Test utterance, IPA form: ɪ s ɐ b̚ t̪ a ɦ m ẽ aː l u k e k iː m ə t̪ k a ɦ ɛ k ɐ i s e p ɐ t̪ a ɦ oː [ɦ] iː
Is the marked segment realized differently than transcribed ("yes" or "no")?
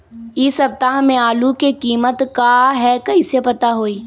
yes